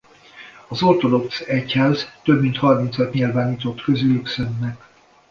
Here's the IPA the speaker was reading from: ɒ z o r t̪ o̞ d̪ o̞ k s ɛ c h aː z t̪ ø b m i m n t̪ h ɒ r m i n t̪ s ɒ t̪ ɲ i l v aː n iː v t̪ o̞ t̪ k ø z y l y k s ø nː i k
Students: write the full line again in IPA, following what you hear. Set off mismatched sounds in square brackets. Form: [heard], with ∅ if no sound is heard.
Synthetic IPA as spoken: ɒ z o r t̪ o̞ d̪ o̞ k s ɛ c h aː z t̪ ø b m i [∅] n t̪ h ɒ r m i n t̪ s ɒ t̪ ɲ i l v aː n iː [∅] t̪ o̞ t̪ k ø z y l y k s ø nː [ɛ] k